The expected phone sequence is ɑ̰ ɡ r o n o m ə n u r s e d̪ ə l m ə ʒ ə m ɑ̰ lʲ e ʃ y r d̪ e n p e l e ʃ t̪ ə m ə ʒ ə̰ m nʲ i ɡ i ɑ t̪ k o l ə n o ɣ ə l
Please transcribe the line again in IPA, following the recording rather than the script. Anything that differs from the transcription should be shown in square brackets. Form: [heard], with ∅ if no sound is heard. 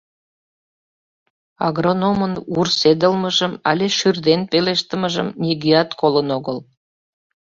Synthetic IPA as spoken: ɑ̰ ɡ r o n o m ə n u r s e d̪ ə l m ə ʒ ə m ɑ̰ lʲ e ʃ y r d̪ e n p e l e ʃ t̪ ə m ə ʒ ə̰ m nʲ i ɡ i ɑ t̪ k o l ə n o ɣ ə l